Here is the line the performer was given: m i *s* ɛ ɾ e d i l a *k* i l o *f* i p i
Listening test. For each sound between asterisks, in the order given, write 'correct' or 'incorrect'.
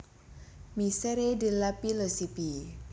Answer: correct, incorrect, incorrect

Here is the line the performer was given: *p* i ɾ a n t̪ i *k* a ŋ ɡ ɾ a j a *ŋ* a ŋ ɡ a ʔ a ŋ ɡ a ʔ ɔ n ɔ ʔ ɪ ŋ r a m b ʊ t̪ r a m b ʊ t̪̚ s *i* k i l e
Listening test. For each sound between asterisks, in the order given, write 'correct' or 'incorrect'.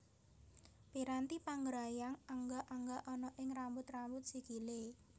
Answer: correct, incorrect, correct, correct

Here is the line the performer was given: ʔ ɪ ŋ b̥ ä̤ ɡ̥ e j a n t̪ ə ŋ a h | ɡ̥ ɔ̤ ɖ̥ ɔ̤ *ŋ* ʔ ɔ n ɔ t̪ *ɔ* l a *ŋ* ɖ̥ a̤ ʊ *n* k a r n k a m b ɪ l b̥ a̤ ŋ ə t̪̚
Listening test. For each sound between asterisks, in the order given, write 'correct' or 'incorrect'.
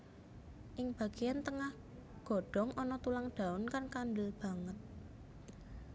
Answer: correct, incorrect, correct, correct

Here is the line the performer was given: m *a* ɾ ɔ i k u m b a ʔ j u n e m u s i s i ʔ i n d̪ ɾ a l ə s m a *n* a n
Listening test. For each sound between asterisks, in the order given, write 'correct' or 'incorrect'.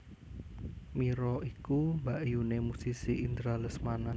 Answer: incorrect, correct

